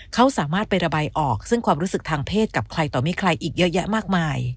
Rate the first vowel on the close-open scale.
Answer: open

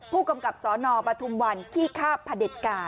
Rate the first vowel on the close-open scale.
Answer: close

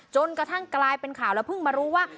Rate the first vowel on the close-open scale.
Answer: mid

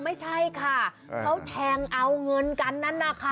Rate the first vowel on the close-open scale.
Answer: open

